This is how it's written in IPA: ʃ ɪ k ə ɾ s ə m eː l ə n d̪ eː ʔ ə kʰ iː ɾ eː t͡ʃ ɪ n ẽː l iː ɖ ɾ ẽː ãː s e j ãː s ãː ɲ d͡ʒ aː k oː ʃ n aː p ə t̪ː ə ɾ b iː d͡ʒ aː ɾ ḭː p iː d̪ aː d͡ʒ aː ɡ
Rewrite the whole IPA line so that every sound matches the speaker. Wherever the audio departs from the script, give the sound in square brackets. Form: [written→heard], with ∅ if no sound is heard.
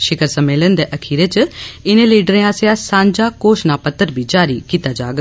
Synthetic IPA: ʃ ɪ k ə ɾ s ə m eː l ə n d̪ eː ʔ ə kʰ iː ɾ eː t͡ʃ ɪ n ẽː l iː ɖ ɾ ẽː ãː s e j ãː s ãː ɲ d͡ʒ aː k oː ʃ n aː p ə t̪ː ə ɾ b iː d͡ʒ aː ɾ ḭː [p→k] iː [d̪→t̪] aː d͡ʒ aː ɡ